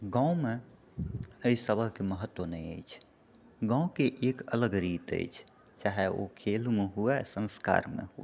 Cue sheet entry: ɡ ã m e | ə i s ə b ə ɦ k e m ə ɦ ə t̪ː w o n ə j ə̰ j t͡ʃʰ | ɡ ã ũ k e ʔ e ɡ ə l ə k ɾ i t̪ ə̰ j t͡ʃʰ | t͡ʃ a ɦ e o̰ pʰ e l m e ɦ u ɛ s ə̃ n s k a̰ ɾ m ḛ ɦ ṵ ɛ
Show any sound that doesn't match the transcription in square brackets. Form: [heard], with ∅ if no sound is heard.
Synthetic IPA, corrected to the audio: ɡ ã m e | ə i s ə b ə ɦ k e m ə ɦ ə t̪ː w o n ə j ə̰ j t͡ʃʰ | ɡ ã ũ k e ʔ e [k] ə l ə [ɡ] ɾ i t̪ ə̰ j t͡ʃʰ | t͡ʃ a ɦ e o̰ [kʰ] e l m e ɦ u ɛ s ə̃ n s k a̰ ɾ m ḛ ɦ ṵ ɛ